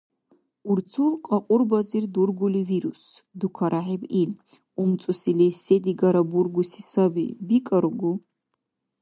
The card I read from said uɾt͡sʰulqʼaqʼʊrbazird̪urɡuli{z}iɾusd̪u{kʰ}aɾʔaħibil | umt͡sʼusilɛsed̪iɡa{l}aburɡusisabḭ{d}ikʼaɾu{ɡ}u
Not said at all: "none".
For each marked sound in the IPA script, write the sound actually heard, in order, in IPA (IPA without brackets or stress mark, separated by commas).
v, kʰ, ɾ, b, ɡ